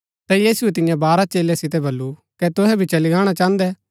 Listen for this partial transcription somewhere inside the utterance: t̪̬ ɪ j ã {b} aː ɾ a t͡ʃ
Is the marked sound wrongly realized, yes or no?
no